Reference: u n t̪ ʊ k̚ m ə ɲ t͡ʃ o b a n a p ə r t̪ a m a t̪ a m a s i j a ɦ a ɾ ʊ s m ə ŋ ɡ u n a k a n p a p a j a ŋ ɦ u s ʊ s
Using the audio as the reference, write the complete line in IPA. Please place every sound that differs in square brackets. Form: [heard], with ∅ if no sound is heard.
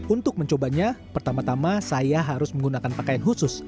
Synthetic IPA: u n t̪ ʊ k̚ m ə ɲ t͡ʃ o b a [ɲ] a p ə r t̪ a m a t̪ a m a s [a] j a ɦ a ɾ ʊ s m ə ŋ ɡ u n a k a n p a [k] a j a [n] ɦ u s ʊ s